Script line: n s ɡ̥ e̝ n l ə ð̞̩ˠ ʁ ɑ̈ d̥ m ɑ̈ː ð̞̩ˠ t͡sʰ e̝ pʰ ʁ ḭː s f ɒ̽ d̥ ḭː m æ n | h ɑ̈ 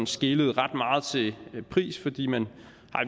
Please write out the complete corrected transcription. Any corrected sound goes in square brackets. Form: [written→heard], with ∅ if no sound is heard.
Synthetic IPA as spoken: n s ɡ̥ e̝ [n→∅] l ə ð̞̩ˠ ʁ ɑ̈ d̥ m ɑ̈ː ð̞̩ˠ t͡sʰ e̝ pʰ ʁ ḭː s f ɒ̽ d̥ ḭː m æ n | h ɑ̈